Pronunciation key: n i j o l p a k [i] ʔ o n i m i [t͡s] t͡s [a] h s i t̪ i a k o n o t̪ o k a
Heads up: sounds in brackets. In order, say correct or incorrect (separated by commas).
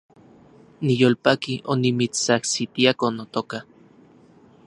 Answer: correct, correct, correct